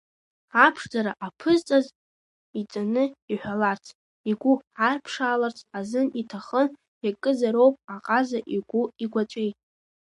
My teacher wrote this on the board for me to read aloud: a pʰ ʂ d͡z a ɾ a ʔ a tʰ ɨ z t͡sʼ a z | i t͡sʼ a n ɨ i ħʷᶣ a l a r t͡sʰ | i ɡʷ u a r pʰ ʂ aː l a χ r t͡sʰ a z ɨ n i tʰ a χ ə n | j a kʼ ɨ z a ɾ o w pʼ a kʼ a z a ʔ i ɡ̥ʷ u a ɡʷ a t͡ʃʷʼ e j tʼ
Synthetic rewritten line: a pʰ ʂ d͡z a ɾ a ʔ a pʰ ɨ z t͡sʼ a z | i t͡sʼ a n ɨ i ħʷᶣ a l a r t͡sʰ | i ɡʷ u a r pʰ ʂ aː l a r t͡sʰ a z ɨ n i tʰ a χ ə n | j a kʼ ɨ z a ɾ o w pʼ a qʼ a z a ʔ i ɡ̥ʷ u i ɡʷ a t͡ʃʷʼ e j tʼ